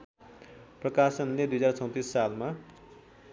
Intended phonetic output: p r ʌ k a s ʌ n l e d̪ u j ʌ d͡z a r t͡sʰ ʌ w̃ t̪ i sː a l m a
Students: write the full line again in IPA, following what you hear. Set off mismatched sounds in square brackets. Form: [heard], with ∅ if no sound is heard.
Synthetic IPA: p r ʌ k a s ʌ n l e d̪ u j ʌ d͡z a r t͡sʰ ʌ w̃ t̪ i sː a l m a

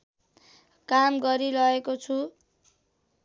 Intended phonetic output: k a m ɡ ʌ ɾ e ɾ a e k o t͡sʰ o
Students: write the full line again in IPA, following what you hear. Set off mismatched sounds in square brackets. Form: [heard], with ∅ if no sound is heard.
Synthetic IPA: k a m ɡ ʌ ɾ [i] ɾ [ʌ] e k o t͡sʰ [u]

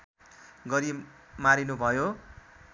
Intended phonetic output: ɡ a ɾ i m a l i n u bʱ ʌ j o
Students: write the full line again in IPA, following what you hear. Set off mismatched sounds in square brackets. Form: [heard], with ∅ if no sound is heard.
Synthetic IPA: ɡ [ʌ] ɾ i m a [ɾ] i n u bʱ ʌ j o

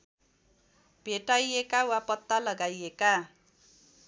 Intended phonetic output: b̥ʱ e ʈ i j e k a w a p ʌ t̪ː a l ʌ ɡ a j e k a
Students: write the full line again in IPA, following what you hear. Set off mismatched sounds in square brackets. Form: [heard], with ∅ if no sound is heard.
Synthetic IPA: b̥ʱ e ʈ [a] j e k a w a p ʌ t̪ː a l ʌ ɡ a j e k a

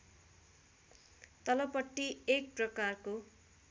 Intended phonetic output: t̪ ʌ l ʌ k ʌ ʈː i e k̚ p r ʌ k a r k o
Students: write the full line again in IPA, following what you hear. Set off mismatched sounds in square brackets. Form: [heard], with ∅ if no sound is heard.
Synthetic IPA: t̪ ʌ l ʌ [p] ʌ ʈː i e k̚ p r ʌ k a r k o

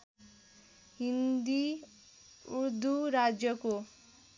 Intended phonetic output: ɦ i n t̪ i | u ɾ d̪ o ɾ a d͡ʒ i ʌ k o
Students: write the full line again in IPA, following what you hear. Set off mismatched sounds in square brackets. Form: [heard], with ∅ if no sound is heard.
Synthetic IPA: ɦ i n [d̪] i | u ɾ d̪ [u] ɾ a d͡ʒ [j] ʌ k o

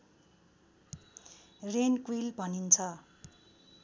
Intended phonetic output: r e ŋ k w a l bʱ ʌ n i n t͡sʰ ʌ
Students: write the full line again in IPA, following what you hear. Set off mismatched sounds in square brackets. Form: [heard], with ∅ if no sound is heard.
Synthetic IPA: r e [n] k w [i] l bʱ ʌ n i n t͡sʰ ʌ

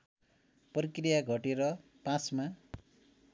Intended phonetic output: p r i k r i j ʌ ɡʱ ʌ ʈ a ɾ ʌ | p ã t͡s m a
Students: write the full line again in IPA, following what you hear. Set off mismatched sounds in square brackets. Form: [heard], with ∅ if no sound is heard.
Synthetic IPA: p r i k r i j [a] ɡʱ ʌ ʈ [e] ɾ ʌ | p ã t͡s m a

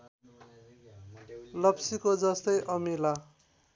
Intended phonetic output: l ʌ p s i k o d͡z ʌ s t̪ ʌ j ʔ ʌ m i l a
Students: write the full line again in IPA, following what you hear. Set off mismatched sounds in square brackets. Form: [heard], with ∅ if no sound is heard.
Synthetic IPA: l ʌ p s i k o d͡z ʌ s t̪ ʌ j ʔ ʌ m i l a

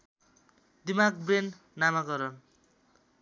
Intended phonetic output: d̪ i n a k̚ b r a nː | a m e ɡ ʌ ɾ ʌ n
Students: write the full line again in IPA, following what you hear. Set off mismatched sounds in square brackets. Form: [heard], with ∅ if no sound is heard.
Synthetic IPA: d̪ i [m] a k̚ b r [e] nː | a m [a] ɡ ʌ ɾ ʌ n

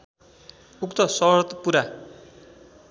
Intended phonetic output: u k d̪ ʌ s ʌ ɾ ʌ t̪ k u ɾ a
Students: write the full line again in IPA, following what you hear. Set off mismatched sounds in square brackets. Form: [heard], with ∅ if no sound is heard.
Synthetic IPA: u k [t̪] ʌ s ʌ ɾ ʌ t̪ [p] u ɾ a

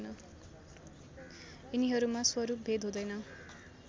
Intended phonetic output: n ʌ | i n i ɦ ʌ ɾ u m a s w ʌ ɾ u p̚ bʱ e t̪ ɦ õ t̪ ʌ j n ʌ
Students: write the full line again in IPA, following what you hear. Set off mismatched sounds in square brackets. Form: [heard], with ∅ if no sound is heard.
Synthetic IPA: n ʌ | i n i ɦ ʌ ɾ u m a s w ʌ ɾ u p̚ bʱ e [d̪] ɦ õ [d̪] ʌ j n ʌ

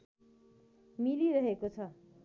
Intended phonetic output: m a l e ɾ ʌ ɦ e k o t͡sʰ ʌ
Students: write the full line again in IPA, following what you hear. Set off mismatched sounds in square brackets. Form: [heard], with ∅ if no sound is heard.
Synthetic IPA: m [i] l [i] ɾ ʌ ɦ e k o t͡sʰ ʌ

